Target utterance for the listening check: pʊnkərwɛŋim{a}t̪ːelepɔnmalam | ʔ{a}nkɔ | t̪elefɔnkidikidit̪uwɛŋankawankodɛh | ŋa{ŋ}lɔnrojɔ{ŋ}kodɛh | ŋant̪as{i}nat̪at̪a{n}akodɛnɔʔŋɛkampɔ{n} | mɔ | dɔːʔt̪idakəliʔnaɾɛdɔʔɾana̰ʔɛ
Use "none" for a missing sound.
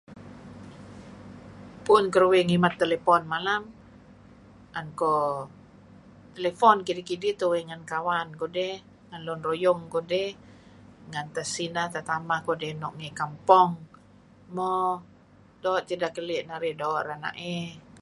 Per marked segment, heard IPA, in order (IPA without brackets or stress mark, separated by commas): a, a, n, ŋ, i, m, ŋ